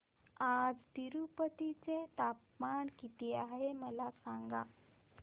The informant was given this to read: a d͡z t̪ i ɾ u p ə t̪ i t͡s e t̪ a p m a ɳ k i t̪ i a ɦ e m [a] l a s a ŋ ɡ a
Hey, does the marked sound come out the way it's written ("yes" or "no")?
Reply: no